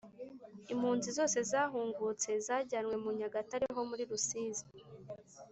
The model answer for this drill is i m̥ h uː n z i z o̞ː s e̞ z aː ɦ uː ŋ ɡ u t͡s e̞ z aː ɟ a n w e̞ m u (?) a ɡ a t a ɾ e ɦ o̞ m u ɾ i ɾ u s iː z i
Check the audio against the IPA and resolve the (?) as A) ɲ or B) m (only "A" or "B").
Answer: A